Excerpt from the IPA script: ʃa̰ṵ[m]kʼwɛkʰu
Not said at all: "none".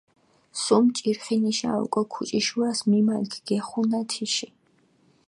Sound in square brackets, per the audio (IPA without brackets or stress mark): none